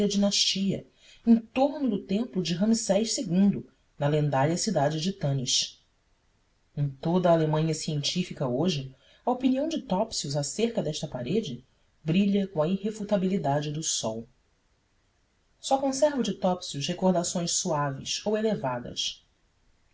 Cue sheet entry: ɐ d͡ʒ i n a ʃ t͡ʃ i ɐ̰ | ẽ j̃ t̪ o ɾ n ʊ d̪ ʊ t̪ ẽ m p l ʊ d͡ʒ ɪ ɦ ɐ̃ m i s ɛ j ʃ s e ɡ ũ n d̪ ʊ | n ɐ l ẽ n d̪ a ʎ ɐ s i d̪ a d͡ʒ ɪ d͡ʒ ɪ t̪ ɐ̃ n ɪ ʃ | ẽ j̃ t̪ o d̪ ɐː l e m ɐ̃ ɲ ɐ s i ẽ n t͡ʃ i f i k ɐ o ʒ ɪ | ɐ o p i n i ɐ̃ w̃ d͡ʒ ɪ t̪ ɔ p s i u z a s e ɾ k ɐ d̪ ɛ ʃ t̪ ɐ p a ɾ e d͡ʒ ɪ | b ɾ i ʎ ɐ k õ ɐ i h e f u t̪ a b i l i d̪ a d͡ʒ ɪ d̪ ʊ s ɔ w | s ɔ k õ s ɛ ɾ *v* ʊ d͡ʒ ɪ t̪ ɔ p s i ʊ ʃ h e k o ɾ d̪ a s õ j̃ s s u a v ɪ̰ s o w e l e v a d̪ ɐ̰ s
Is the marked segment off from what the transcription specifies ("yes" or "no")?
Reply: no